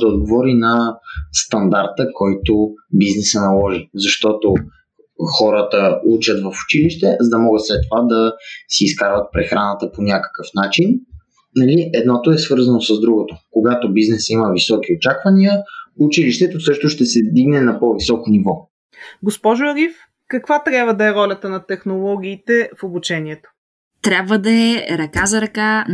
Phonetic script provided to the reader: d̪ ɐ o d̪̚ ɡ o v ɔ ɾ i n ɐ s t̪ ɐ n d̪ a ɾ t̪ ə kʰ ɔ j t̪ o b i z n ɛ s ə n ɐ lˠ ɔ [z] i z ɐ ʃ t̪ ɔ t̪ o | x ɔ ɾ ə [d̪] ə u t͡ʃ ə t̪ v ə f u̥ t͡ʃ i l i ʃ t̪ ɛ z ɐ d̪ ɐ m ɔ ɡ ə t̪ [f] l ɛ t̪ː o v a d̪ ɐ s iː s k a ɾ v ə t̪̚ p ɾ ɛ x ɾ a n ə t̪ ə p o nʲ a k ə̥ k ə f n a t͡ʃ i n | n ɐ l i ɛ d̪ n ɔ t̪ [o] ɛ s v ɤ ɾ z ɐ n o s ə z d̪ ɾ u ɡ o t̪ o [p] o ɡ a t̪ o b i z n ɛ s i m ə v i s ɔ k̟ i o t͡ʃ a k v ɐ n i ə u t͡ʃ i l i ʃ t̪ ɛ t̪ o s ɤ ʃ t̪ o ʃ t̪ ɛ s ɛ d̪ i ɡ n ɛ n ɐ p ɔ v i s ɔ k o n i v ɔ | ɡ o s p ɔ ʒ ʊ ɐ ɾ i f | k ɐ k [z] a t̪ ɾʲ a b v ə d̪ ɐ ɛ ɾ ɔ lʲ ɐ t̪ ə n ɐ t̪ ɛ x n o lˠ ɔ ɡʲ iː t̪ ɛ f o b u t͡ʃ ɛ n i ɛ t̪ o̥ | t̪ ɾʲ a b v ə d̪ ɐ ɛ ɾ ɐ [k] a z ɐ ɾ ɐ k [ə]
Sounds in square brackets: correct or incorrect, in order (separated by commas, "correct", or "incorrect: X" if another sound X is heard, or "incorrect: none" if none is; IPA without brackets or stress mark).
incorrect: ʒ, incorrect: t̪, incorrect: s, correct, incorrect: k, incorrect: v, correct, incorrect: a